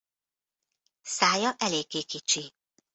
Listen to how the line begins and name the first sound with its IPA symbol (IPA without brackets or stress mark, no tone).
s